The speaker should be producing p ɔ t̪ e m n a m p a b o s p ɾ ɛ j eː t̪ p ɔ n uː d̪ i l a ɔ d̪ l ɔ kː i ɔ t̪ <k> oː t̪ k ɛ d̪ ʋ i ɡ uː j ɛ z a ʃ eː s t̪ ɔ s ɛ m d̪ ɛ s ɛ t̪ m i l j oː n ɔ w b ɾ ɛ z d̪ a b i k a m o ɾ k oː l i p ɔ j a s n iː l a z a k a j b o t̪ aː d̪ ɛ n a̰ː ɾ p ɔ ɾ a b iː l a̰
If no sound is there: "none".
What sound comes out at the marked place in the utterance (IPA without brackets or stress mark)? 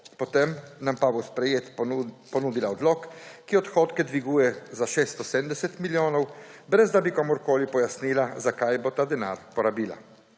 x